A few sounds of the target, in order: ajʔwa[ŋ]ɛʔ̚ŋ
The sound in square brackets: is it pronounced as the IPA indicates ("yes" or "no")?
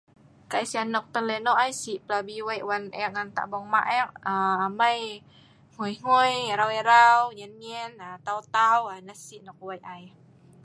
no